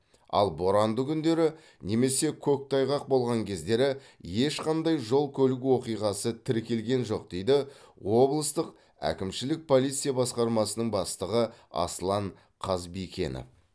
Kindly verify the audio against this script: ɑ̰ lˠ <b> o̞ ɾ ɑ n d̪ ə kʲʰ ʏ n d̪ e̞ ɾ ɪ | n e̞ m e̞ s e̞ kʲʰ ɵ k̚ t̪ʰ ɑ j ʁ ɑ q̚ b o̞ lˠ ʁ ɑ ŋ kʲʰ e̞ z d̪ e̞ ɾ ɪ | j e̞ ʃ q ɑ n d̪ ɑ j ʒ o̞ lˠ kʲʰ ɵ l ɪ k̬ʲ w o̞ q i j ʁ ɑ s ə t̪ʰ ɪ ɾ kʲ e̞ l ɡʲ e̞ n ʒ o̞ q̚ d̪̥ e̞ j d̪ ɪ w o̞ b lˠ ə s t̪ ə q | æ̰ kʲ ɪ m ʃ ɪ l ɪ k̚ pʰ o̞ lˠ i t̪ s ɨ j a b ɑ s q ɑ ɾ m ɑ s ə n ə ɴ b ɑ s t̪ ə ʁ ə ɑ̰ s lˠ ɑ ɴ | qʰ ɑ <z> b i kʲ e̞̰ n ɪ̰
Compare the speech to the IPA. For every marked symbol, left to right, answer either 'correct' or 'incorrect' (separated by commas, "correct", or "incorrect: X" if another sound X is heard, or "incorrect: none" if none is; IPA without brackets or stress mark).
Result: correct, correct